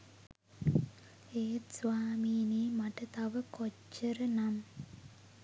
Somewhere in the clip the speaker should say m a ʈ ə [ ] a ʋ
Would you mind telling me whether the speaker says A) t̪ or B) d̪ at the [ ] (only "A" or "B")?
A